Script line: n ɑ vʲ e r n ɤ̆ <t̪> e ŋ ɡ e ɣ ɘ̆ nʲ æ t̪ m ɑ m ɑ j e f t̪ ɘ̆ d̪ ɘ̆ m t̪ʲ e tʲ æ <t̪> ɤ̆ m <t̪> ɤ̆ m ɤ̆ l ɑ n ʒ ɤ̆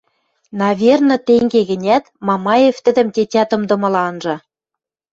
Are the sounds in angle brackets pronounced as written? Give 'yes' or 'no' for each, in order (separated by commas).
yes, yes, no